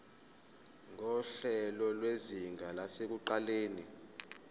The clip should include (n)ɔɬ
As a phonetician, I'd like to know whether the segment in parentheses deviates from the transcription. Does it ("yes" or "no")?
yes